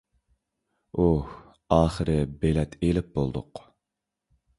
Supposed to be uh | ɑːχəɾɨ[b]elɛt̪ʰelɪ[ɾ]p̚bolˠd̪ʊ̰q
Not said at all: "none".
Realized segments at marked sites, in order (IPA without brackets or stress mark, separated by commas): b, none